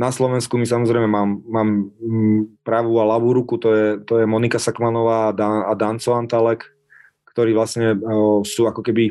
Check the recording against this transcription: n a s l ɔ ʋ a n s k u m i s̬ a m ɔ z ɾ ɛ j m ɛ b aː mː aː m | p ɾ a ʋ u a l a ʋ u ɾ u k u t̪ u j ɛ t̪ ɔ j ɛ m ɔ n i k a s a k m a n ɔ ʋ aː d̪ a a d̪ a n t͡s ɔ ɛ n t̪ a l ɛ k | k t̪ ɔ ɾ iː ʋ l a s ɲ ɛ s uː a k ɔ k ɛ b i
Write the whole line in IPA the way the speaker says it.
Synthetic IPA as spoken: n a s l ɔ ʋ ɛ n s k u m i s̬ a m ɔ z ɾ ɛ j m ɛ m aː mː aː m | p ɾ a ʋ u a l a ʋ u ɾ u k u t̪ ɔ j ɛ t̪ ɔ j ɛ m ɔ n i k a s a k m a n ɔ ʋ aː d̪ a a d̪ a n t͡s ɔ a n t̪ a l ɛ k | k t̪ ɔ ɾ iː ʋ l a s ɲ ɛ s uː a k ɔ k ɛ b i